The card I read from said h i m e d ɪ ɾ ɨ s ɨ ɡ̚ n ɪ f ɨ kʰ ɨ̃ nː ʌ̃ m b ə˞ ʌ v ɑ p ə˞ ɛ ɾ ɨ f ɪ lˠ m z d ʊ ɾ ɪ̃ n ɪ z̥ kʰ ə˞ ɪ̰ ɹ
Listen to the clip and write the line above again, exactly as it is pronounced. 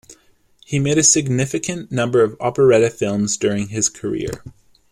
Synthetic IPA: h i m e ɪ ɾ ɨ s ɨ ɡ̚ n ɪ f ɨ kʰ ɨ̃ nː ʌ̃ m b ə˞ ʌ v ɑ p ə˞ ɛ ɾ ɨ f ɪ lˠ m z d ʊ ɹ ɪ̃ ŋ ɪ z̥ kʰ ə˞ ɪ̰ ɹ